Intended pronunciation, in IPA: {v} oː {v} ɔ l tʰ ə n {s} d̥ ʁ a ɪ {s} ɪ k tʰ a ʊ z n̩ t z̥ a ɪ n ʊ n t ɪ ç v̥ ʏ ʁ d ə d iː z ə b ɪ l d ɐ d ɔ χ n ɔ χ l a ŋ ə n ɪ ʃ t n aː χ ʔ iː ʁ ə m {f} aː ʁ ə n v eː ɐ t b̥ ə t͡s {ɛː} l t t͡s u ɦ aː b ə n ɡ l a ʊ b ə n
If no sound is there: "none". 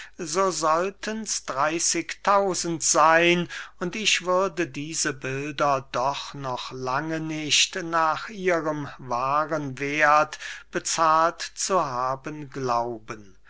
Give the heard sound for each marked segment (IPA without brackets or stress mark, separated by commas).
z, z, s, s, v, aː